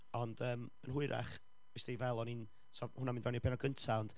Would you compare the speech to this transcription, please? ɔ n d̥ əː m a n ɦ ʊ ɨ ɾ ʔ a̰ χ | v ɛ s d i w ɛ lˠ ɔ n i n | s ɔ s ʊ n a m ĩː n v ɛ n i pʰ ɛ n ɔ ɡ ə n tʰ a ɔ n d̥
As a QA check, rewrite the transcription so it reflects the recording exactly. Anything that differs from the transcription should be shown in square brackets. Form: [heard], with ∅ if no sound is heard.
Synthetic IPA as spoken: ɔ n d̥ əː m [ə] n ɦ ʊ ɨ ɾ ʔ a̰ χ | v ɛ s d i [v] ɛ lˠ ɔ n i n | s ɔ [h] ʊ n a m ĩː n v ɛ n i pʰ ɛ n ɔ ɡ ə n tʰ a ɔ n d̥